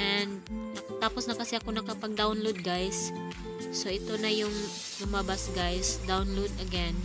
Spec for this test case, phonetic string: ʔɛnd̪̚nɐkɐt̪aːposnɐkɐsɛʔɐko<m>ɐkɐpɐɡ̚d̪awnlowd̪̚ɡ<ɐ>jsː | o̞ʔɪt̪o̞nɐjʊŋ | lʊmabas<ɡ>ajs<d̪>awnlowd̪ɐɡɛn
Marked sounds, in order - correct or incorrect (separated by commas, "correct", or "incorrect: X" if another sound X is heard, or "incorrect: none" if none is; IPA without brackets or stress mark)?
incorrect: n, incorrect: a, correct, correct